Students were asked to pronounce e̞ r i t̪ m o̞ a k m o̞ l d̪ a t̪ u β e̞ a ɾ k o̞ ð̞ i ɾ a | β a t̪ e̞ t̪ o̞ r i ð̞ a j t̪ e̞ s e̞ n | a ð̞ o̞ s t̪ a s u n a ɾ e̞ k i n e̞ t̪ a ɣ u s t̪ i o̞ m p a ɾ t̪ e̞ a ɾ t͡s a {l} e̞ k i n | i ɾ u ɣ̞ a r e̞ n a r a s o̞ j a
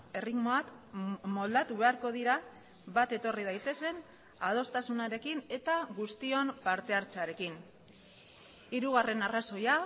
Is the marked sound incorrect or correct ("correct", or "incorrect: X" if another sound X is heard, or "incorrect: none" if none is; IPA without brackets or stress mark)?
incorrect: ɾ